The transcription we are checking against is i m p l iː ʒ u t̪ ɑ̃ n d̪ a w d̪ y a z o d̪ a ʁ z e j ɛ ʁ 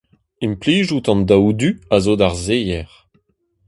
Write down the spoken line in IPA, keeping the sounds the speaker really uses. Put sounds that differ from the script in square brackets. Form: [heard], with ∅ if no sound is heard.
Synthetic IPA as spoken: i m p l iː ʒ u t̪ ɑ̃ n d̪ a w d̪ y a z o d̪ a ʁ z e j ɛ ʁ